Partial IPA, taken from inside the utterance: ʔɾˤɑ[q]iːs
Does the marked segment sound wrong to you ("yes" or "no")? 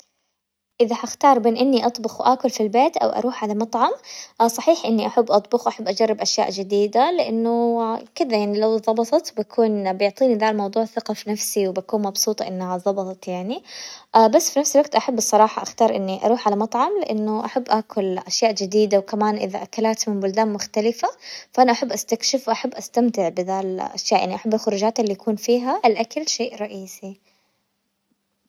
yes